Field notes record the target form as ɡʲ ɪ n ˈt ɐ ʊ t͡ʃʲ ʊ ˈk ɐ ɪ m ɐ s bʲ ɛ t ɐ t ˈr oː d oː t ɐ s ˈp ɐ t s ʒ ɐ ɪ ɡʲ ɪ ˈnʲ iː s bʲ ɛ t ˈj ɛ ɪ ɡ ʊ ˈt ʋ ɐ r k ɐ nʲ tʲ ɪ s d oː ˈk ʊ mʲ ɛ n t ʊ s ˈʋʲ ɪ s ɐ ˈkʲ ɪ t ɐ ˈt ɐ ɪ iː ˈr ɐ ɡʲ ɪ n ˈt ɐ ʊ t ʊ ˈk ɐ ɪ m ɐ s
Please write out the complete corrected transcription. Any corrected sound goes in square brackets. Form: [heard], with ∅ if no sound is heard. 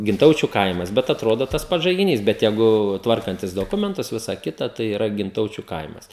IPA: ɡʲ ɪ n ˈt ɐ ʊ t͡ʃʲ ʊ ˈk ɐ ɪ m ɐ s bʲ ɛ t ɐ t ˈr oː d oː t ɐ s ˈp ɐ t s ʒ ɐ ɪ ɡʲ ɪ ˈnʲ iː s bʲ ɛ t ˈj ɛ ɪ ɡ ʊ ˈt ʋ ɐ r k ɐ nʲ tʲ ɪ s d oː ˈk ʊ mʲ ɛ n t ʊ s ˈʋʲ ɪ s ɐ ˈkʲ ɪ t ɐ ˈt ɐ ɪ iː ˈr ɐ ɡʲ ɪ n ˈt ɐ ʊ [t͡ʃʲ] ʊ ˈk ɐ ɪ m ɐ s